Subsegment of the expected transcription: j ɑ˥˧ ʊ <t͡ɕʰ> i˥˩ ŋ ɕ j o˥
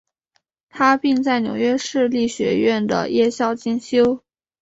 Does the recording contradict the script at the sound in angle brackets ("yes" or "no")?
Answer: yes